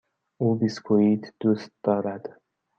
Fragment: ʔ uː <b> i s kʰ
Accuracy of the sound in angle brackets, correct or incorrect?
correct